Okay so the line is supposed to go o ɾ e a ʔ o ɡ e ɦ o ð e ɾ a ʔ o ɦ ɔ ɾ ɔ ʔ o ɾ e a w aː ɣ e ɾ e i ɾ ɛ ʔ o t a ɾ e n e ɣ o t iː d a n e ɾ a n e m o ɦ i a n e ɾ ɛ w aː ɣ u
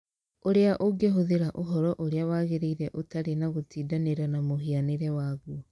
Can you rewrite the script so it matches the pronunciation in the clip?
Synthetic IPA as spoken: o ɾ e a ʔ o ɡ e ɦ o ð e ɾ a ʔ o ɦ ɔ ɾ ɔ ʔ o ɾ e a w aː ɣ e ɾ e i ɾ ɛ ʔ o t a ɾ e n a ɣ o t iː d a n e ɾ a n a m o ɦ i a n e ɾ ɛ w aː ɣ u